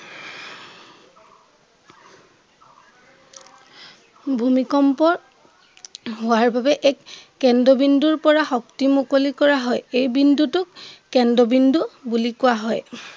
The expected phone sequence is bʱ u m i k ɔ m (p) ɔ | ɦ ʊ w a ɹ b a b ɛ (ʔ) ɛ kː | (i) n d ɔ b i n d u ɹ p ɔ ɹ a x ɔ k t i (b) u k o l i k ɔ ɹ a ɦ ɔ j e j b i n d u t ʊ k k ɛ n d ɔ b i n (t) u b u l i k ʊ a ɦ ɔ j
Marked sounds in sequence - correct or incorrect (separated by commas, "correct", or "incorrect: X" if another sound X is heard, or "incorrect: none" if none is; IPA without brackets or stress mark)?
correct, correct, incorrect: ɛ, incorrect: m, incorrect: d